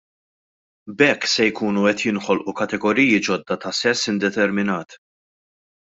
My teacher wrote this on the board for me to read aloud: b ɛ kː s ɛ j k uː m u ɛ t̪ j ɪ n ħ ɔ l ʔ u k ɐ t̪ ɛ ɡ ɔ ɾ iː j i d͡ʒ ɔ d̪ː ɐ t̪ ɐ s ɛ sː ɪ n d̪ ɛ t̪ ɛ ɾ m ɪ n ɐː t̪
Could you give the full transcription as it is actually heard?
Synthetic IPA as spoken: b ɛ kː s ɛ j k uː n u ɛ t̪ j ɪ n ħ ɔ l ʔ u k ɐ t̪ ɛ ɡ ɔ ɾ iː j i d͡ʒ ɔ d̪ː ɐ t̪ ɐ s ɛ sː ɪ n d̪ ɛ t̪ ɛ ɾ m ɪ n ɐː t̪